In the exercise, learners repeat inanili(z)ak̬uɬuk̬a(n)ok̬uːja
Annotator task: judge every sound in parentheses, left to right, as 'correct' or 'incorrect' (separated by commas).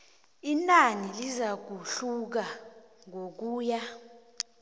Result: correct, incorrect